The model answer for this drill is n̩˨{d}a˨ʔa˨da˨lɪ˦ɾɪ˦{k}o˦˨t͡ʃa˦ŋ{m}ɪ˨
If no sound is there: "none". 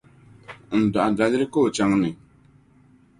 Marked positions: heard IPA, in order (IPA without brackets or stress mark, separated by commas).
d, k, n